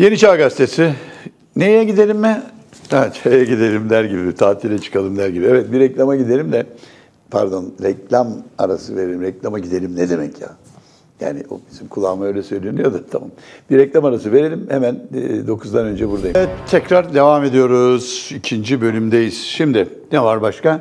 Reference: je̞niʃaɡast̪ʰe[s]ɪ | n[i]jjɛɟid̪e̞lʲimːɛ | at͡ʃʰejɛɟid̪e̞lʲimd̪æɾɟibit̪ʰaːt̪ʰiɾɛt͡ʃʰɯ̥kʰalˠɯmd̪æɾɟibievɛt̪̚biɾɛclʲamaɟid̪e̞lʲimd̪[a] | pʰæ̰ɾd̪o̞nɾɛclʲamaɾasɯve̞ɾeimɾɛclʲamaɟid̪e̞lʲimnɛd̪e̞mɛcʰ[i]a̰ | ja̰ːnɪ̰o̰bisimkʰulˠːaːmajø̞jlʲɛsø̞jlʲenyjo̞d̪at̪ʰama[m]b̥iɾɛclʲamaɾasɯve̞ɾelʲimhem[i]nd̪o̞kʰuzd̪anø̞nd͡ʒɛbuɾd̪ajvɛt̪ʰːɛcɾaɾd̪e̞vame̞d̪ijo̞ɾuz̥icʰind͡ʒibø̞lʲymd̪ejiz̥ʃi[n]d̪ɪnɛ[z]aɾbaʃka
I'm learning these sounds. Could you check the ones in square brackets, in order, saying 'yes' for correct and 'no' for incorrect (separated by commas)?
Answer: yes, no, no, no, yes, no, no, no